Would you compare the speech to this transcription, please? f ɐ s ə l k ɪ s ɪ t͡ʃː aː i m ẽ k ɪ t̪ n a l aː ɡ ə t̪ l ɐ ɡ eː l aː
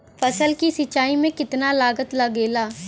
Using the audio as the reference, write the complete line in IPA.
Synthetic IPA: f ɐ s ə l k i s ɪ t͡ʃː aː i m ẽ k ɪ t̪ n a l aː ɡ ə t̪ l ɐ ɡ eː l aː